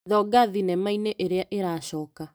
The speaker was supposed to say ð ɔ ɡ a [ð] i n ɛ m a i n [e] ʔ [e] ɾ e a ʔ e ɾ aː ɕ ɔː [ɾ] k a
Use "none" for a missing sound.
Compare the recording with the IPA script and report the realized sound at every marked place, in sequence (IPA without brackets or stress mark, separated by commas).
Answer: ð, e, e, none